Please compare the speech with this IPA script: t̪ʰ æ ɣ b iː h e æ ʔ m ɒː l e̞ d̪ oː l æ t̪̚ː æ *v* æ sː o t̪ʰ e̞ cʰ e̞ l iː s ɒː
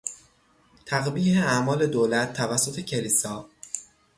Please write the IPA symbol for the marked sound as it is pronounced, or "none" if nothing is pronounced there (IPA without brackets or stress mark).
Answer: v